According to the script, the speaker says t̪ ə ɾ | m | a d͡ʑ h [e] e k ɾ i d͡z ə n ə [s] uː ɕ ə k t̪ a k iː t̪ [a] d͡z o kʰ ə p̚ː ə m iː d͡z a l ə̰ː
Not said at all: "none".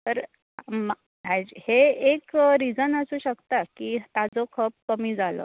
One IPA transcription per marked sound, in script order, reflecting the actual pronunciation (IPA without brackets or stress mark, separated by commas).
e, s, a